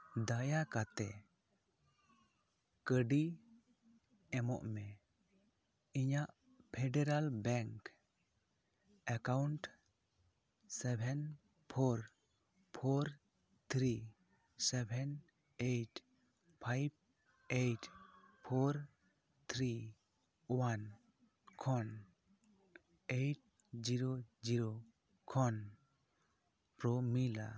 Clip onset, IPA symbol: d̪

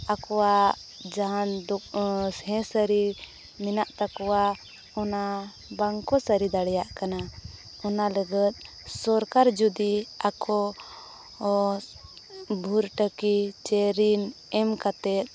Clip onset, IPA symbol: a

